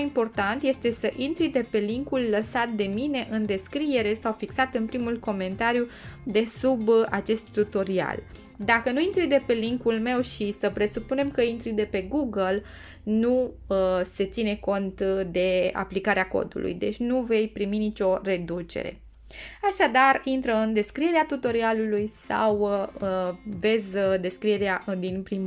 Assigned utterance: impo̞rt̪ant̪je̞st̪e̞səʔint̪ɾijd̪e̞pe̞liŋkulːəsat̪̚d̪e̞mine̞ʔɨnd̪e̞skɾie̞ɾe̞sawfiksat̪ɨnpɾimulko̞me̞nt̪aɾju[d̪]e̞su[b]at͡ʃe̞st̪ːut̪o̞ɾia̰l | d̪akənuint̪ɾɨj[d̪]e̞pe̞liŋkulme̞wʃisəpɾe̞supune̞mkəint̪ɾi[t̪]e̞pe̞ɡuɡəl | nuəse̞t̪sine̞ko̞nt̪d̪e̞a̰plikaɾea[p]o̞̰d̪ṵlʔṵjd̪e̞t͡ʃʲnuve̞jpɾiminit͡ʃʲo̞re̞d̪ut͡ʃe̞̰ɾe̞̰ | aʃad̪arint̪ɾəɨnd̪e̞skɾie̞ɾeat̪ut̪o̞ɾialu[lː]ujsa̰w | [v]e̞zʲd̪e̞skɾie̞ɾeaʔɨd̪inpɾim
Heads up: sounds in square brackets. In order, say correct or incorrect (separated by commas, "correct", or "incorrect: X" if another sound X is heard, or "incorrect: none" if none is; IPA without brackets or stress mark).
correct, correct, correct, incorrect: d̪, incorrect: k, incorrect: l, correct